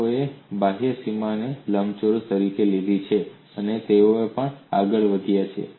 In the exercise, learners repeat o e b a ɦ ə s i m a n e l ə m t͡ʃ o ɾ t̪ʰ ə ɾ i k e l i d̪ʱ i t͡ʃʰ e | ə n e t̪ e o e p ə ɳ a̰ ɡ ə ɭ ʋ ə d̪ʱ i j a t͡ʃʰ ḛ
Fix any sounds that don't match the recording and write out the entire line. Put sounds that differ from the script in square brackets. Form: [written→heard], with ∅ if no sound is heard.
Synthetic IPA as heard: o e b a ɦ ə s i m a n e l ə m t͡ʃ o ɾ [t̪ʰ→t̪] ə ɾ i k e l i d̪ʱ i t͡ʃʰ e | ə n e t̪ e o e p ə ɳ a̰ ɡ ə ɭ ʋ ə d̪ʱ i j a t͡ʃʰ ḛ